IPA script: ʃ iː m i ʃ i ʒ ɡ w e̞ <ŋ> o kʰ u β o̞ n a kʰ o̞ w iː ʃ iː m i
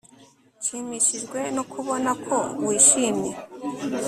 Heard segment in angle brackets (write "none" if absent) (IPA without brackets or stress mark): n